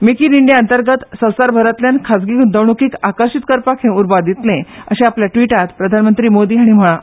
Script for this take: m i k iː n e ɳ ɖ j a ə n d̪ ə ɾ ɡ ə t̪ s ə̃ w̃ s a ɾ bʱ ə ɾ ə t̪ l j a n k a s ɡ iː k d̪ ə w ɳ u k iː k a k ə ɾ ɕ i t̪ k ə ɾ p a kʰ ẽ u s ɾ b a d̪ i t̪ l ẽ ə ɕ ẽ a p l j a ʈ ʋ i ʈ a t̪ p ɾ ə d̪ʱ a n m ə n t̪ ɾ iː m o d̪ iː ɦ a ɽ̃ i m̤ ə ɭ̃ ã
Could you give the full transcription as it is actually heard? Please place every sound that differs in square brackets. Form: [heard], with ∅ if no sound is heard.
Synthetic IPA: m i k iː n [i] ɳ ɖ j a ə n [t̪] ə ɾ ɡ ə t̪ s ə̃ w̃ s a ɾ bʱ ə ɾ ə t̪ l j a n [kʰ] a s ɡ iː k d̪ ə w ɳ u k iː k a k ə ɾ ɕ i t̪ k ə ɾ p a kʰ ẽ u [∅] ɾ b a d̪ i t̪ l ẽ ə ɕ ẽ a p l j a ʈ ʋ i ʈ a t̪ p ɾ ə d̪ʱ a n m ə n t̪ ɾ iː m o d̪ iː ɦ a ɽ̃ i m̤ ə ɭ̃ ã

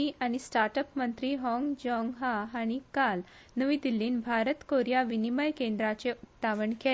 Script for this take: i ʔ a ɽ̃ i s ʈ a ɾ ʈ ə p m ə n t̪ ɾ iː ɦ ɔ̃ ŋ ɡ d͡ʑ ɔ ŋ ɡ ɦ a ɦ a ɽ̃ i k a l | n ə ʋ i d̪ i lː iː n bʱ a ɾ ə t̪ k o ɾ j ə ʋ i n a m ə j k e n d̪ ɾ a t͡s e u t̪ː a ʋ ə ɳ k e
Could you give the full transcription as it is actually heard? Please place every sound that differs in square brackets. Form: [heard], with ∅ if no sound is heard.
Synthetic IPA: i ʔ a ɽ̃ i s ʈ a ɾ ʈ ə p m ə n t̪ ɾ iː ɦ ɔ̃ ŋ ɡ d͡ʑ ɔ ŋ ɡ ɦ a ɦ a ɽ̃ i k a l | n ə ʋ i d̪ i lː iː n bʱ a ɾ ə t̪ k o ɾ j [a] ʋ i n [i] m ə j k e n d̪ ɾ a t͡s e u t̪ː a ʋ ə ɳ k e

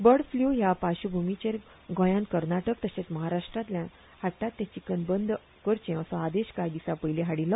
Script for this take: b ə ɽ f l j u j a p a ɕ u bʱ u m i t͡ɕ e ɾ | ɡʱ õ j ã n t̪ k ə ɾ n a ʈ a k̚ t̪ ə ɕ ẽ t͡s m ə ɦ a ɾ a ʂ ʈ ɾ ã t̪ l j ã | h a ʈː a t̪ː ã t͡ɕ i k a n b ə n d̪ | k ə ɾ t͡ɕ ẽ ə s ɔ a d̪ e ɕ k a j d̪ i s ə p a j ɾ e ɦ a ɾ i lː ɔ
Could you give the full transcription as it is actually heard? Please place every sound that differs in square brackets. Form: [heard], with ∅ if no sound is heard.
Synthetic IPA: b ə ɽ f l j u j a p a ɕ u bʱ u m i t͡ɕ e ɾ | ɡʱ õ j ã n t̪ k ə ɾ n a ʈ [ə] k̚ t̪ ə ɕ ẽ t͡s m ə ɦ a ɾ a ʂ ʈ ɾ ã t̪ l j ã | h a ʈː a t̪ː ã t͡ɕ i k [ə] n b ə n d̪ | k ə ɾ t͡ɕ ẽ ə s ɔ a d̪ e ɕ k a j d̪ i s [a] p [ə] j [l] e ɦ a [ɽ] i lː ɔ

